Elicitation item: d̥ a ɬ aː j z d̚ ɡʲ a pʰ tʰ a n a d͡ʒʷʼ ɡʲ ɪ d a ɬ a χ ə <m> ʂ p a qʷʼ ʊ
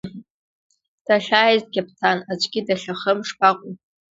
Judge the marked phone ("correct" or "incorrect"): correct